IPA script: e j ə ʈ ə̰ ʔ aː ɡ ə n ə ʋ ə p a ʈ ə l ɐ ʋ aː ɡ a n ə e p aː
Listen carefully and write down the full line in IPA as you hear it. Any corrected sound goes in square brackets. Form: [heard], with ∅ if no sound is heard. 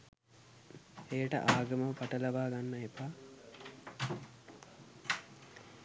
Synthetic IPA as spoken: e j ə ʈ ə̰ ʔ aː ɡ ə [m] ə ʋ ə p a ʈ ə l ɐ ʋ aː ɡ a [nː] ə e p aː

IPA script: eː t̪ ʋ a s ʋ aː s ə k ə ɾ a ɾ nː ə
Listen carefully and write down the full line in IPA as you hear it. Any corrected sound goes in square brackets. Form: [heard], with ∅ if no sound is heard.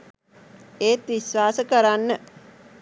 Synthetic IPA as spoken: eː t̪ ʋ [i] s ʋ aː s ə k ə ɾ a [∅] nː ə

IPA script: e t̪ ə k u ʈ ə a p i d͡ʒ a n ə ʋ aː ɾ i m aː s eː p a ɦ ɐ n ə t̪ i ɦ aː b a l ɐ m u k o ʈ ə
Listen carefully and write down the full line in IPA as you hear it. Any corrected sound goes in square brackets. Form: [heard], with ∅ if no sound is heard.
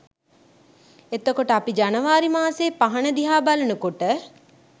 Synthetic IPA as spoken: e t̪ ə k [o] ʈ ə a p i d͡ʒ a n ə ʋ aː ɾ i m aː s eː p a ɦ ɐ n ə [d̪] i ɦ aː b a l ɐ [n] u k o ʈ ə

